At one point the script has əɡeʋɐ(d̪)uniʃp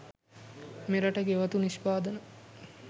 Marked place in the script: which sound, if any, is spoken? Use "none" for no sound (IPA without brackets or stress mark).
t̪